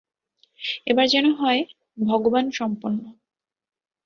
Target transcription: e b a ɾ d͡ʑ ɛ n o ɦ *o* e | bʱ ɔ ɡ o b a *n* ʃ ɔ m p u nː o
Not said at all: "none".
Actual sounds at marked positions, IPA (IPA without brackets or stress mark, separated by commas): ɔ, n